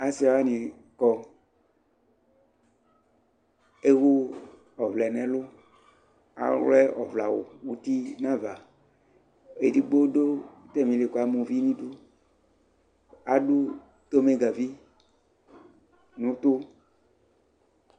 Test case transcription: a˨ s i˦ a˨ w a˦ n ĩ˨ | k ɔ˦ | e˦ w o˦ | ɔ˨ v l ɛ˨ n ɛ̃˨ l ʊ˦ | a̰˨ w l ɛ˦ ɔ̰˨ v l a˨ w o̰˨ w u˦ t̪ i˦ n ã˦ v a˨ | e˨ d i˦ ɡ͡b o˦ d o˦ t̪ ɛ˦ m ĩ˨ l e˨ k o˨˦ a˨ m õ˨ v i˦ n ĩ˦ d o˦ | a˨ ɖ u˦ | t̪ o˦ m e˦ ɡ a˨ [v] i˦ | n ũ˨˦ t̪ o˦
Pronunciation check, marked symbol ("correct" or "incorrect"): correct